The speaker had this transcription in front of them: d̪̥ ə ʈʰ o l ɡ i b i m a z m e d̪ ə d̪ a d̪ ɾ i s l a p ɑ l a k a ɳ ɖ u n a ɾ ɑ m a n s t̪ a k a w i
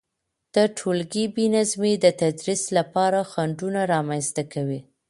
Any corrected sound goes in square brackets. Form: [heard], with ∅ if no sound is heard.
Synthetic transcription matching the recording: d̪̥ ə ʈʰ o l ɡ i b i [n] a z m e d̪ ə [t̪] a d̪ ɾ i s l a p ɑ [ɾ] a [x] a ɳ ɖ u n a ɾ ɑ m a n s t̪ a k a w i